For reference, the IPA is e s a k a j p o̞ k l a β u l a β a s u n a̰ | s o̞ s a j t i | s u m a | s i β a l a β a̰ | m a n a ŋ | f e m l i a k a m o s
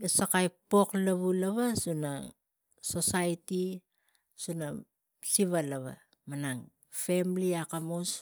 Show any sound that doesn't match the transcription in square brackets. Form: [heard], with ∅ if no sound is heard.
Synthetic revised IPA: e s a k a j p o̞ k l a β u l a β a s u n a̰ | s o̞ s a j t i | s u [n] a | s i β a l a β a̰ | m a n a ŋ | f e m l i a k a m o s